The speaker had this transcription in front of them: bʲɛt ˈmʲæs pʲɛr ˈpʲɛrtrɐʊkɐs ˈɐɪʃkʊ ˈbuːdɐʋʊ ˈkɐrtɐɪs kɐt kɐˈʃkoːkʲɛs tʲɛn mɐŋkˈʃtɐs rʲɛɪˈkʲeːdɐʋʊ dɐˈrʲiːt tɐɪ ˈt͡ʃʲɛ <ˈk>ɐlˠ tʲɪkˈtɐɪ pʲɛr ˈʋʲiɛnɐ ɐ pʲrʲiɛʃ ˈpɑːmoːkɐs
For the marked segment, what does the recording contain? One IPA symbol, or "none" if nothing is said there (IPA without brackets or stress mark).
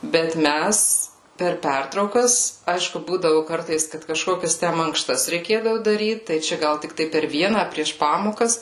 ɡ